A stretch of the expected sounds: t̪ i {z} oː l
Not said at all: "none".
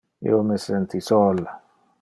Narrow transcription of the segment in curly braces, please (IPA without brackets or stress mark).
s